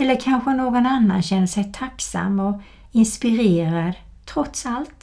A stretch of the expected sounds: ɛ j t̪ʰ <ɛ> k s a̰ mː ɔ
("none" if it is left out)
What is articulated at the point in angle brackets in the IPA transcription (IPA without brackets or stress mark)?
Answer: a